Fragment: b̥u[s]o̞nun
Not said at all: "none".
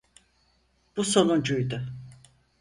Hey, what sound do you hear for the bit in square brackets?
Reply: s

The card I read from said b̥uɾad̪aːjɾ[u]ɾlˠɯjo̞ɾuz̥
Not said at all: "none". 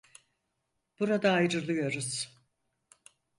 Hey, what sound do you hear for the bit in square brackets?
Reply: ɯ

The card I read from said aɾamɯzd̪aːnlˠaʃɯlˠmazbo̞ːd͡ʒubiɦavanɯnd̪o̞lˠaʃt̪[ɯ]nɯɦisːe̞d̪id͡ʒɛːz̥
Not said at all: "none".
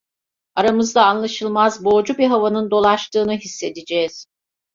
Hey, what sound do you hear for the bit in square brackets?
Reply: ɯː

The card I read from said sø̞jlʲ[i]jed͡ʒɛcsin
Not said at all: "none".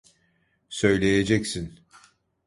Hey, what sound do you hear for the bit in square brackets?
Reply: e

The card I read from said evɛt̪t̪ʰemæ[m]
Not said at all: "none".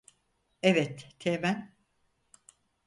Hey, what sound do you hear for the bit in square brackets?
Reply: n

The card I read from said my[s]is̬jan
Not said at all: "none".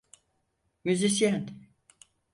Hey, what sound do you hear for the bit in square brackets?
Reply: z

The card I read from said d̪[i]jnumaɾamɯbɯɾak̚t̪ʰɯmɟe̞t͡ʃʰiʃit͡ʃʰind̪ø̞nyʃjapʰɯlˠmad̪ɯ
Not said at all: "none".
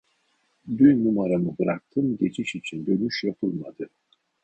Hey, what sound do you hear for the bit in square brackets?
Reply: y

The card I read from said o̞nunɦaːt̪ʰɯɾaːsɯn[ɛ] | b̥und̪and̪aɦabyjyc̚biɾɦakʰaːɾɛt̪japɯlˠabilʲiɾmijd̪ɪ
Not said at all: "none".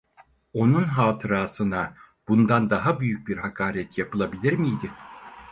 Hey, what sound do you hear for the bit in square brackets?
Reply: a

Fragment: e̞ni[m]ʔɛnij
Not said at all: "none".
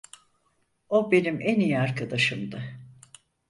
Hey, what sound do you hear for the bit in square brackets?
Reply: m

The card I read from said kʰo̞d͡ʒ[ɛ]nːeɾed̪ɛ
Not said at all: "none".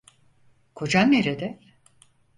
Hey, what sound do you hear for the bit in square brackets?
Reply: a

